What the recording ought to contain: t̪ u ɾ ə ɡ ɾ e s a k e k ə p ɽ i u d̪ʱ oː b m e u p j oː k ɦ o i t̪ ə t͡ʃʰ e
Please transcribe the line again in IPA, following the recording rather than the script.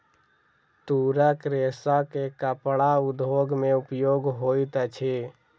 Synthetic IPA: t̪ u ɾ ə k ɾ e s a k e k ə p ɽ a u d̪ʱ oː ɡ m e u p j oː ɡ ɦ o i t̪ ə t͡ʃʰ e